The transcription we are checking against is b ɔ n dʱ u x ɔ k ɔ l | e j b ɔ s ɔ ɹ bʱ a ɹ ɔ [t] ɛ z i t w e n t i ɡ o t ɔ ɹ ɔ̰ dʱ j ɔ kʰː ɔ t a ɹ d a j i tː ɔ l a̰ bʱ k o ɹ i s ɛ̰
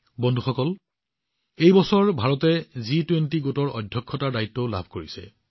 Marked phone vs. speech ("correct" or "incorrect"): correct